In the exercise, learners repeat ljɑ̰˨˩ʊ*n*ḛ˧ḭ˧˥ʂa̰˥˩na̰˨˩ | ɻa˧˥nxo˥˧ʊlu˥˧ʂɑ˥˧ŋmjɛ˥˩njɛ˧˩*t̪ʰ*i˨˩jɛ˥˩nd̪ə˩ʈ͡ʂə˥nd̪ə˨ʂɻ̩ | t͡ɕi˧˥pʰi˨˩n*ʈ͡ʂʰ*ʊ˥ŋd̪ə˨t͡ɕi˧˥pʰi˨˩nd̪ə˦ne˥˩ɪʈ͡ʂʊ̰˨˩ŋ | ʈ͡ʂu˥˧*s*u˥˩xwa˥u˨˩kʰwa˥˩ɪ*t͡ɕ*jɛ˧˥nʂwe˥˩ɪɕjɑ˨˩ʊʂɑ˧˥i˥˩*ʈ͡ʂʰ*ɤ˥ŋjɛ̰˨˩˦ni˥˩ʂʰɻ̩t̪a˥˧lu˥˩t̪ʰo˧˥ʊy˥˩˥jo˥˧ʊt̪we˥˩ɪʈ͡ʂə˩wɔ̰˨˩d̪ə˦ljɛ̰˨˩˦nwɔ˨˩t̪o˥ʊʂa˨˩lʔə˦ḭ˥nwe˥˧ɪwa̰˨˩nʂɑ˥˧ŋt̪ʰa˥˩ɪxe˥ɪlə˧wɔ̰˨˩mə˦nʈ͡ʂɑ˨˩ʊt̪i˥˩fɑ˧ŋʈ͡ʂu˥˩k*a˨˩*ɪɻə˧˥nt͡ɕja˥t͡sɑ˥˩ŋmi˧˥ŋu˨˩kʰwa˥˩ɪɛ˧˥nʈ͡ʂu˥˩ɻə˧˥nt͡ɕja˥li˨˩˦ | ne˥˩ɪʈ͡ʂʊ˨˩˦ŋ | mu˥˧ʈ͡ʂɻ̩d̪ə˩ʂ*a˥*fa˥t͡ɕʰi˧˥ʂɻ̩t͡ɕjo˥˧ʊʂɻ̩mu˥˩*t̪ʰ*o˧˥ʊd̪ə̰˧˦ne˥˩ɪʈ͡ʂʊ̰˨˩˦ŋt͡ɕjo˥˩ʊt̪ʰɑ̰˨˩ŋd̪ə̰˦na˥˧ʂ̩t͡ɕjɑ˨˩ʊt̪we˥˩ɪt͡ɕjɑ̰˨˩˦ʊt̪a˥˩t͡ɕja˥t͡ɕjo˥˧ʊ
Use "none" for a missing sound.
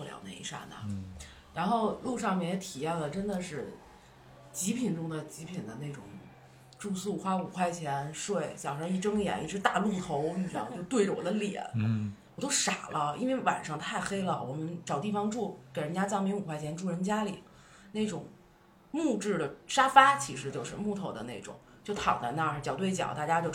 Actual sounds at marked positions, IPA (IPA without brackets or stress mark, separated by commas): n, t̪ʰ, ʈ͡ʂ, s, t͡ɕʰ, ʈ͡ʂ, e˨˩, a˥, t̪ʰ